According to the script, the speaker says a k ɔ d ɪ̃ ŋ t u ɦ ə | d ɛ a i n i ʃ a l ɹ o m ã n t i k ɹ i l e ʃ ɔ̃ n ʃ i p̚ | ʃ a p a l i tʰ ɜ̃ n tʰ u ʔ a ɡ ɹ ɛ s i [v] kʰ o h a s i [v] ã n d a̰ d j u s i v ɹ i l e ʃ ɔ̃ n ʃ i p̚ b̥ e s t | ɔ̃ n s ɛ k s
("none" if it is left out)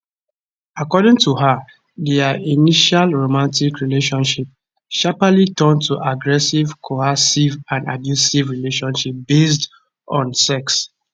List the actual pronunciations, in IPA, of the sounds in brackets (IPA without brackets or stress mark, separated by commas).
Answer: v, v